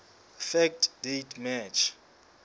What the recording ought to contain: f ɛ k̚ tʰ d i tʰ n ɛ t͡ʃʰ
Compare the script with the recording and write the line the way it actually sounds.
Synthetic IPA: f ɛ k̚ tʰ d e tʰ m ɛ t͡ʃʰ